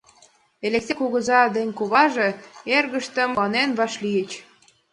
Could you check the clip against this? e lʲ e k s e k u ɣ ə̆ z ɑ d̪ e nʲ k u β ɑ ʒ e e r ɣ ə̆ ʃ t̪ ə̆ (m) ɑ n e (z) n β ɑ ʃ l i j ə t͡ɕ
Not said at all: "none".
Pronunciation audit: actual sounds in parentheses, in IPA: m, none

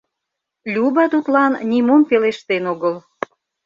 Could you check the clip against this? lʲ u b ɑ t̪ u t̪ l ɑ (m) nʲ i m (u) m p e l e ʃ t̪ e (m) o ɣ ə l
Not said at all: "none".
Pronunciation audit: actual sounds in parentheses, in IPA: n, o, n

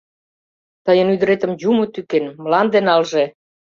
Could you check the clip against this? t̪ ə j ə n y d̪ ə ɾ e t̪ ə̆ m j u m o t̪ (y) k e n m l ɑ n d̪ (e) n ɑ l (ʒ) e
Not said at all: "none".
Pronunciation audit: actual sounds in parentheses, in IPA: y, e, ʒ

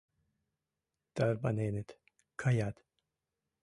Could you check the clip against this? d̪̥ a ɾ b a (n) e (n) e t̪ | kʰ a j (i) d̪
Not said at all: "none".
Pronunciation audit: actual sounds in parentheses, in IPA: n, n, a

